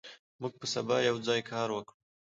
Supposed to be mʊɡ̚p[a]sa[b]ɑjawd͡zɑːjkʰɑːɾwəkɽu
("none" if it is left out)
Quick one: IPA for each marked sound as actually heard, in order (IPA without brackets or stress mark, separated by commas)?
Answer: ə, b